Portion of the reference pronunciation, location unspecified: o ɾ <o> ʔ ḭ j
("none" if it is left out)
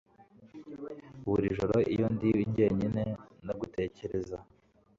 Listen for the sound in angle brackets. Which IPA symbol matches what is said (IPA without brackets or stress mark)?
o